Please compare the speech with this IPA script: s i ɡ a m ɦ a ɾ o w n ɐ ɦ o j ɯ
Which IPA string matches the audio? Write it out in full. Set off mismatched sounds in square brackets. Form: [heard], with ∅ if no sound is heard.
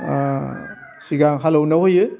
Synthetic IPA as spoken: s i ɡ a [ŋ] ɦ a [l] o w n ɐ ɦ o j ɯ